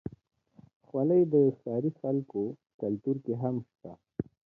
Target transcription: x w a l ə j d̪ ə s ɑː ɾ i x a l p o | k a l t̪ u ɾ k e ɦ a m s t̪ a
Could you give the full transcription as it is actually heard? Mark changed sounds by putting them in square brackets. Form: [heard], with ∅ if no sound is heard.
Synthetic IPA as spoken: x w a l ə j d̪ ə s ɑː ɾ i x a l [k] o | k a l t̪ u ɾ k e ɦ a m [ʃ] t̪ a